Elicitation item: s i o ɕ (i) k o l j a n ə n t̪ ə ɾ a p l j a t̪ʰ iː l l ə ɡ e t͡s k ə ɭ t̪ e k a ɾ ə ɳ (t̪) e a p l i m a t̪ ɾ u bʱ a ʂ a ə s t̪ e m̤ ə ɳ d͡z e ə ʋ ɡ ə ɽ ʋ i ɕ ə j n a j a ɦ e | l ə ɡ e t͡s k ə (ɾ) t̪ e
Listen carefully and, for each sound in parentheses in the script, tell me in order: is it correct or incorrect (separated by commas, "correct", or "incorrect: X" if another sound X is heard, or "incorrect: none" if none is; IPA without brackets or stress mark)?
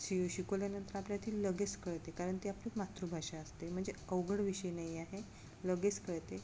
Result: correct, correct, incorrect: ɭ